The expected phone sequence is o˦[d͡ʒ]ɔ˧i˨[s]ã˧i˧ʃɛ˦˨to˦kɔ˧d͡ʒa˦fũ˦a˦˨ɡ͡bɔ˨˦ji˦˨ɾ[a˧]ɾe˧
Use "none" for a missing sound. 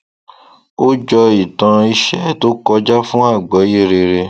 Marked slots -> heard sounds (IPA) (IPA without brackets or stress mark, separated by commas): d͡ʒ, t, e˧